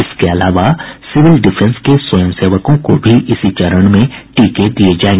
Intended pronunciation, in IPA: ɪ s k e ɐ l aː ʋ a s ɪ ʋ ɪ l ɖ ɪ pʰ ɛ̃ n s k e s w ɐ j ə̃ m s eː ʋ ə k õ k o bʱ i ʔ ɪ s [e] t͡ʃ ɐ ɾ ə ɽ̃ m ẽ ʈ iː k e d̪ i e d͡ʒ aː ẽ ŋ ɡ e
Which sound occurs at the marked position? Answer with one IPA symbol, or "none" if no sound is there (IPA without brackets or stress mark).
i